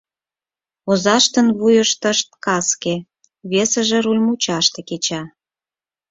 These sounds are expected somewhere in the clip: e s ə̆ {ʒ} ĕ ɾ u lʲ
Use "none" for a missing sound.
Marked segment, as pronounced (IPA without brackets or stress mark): ʒ